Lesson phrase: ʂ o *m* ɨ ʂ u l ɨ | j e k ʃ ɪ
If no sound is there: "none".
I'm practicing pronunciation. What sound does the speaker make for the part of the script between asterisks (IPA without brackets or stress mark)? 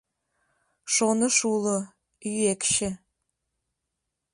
n